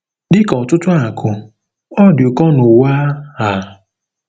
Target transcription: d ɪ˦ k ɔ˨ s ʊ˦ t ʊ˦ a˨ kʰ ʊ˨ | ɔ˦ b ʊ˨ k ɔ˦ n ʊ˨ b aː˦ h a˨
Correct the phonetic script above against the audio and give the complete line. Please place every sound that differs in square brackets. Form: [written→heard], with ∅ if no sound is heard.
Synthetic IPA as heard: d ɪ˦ k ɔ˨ [s→t] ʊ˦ t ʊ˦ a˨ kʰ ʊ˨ | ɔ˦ [b→d] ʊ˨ k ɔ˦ n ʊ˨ [b→w] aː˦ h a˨